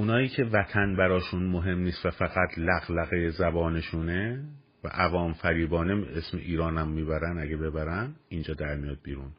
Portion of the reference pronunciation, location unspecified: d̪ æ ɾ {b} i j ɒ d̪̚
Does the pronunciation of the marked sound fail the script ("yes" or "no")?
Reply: yes